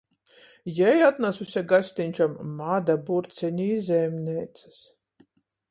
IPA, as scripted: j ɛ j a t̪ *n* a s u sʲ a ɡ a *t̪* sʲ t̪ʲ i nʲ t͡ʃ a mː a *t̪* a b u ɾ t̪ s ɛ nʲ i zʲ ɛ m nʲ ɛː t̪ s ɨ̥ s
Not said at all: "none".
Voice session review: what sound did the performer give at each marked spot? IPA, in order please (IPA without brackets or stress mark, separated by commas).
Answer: n, none, d̪